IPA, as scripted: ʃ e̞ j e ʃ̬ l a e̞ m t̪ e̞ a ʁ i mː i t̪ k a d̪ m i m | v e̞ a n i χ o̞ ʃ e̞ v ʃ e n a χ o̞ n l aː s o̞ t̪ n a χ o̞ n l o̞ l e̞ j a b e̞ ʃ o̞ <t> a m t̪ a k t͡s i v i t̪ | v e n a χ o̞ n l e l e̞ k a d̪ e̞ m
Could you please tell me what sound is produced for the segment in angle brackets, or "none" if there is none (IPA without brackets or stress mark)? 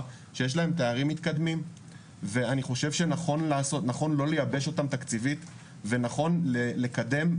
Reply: t